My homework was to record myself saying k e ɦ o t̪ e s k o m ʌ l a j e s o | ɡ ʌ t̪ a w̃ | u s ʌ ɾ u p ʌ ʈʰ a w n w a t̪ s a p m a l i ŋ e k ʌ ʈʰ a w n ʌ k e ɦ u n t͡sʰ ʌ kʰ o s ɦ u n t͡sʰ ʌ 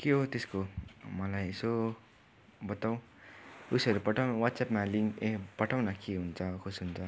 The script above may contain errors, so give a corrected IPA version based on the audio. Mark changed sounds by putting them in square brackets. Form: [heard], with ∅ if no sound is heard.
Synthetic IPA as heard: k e ɦ o t̪ e s k o m ʌ l a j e s o | [b] ʌ t̪ a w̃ | u s ʌ ɾ u p ʌ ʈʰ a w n w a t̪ s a p m a l i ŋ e [p] ʌ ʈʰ a w n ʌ k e ɦ u n t͡sʰ ʌ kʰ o s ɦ u n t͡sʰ ʌ